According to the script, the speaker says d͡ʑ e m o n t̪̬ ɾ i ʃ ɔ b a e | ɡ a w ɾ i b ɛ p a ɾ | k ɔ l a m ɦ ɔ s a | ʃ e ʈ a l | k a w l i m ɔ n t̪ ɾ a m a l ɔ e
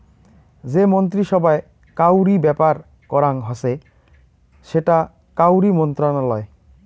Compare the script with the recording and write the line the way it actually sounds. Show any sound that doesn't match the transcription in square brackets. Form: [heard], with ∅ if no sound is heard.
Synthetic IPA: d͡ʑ e m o n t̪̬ ɾ i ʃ ɔ b a e | [k] a w ɾ i b ɛ p a ɾ | k ɔ [ɾ] a [ŋ] ɦ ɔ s [e] | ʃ e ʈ a [∅] | k a w [ɾ] i m ɔ n t̪ ɾ a [n] a l ɔ e